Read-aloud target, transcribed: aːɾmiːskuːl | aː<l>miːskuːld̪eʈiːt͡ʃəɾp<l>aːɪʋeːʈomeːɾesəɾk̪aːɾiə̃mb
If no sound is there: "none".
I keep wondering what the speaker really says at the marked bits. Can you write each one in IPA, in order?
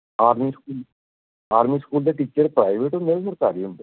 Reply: ɾ, ɾ

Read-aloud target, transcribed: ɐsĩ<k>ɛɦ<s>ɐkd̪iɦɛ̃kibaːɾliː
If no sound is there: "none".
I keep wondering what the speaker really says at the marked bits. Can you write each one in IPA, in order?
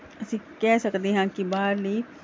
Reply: k, s

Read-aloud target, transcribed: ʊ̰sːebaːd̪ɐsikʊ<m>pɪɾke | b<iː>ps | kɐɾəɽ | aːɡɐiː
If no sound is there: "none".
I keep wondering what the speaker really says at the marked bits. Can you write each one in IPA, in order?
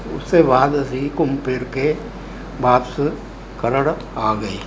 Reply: m, aː

